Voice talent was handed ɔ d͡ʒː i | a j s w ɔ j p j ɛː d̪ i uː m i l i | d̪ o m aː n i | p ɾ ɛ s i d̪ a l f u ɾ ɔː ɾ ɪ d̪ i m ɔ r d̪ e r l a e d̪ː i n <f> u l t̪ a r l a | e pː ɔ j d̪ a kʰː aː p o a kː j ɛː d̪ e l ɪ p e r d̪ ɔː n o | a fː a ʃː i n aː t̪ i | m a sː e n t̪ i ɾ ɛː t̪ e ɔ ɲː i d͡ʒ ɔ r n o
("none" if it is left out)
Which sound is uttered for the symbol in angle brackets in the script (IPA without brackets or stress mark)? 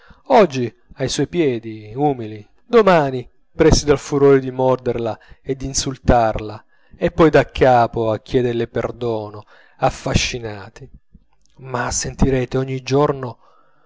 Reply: s